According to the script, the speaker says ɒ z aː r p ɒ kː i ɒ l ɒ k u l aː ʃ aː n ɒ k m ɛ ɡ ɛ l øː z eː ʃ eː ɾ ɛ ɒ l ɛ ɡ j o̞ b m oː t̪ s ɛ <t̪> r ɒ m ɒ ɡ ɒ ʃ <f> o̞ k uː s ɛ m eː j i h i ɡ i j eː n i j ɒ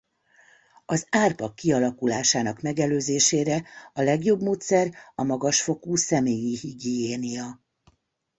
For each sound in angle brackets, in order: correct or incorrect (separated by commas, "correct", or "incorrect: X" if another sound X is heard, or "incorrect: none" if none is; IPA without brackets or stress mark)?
incorrect: none, correct